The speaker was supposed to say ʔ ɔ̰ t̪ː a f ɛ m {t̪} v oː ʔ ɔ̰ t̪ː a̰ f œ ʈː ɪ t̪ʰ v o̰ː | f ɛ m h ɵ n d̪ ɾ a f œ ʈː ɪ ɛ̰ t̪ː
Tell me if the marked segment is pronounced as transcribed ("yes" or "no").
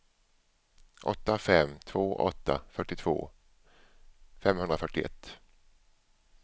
no